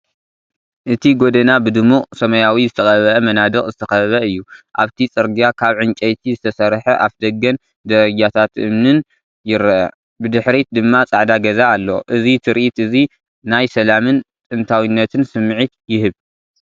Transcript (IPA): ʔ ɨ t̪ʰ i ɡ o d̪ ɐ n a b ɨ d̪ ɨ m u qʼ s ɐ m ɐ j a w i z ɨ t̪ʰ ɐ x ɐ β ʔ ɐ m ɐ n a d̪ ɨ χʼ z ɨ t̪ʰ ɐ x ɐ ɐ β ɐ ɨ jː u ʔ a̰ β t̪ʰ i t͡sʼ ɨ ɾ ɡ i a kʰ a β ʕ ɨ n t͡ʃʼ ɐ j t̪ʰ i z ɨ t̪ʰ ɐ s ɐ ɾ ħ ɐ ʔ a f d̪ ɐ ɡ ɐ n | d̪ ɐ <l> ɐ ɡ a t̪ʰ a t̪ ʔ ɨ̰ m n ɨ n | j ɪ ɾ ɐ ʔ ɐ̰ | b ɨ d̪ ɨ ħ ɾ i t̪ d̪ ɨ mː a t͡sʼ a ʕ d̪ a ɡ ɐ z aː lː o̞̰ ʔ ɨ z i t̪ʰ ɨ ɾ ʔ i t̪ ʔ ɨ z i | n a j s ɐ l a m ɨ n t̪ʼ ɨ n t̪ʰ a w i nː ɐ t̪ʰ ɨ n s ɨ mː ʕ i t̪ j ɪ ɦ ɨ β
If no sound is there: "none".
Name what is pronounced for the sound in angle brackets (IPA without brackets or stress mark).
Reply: ɾ